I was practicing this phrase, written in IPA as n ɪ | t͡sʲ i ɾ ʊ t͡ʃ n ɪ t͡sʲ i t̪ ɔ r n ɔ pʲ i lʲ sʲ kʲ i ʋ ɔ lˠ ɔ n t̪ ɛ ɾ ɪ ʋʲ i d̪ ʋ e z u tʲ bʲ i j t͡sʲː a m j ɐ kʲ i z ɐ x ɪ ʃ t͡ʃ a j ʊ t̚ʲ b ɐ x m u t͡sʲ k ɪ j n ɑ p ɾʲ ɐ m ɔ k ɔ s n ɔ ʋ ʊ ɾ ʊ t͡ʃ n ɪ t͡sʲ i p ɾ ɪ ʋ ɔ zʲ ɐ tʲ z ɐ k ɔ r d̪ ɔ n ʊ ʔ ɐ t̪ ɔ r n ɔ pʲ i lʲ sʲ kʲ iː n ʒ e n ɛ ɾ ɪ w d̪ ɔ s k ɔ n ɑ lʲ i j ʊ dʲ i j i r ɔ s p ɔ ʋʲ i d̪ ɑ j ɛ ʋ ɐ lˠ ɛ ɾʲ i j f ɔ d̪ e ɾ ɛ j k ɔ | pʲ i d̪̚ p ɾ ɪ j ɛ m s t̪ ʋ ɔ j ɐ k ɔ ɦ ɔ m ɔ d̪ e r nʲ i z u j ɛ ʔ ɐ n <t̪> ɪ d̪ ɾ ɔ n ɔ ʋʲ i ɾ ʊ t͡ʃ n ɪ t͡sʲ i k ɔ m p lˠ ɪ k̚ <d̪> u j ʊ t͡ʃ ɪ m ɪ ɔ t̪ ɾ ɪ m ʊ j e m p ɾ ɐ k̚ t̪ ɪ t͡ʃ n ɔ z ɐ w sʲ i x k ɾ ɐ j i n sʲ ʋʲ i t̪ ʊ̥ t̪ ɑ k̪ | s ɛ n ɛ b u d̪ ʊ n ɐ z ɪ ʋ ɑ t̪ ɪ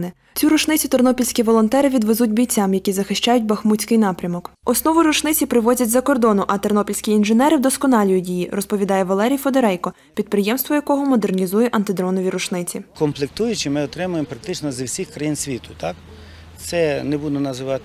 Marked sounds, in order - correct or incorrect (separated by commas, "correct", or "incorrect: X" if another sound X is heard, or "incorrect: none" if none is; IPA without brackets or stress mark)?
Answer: correct, incorrect: t̪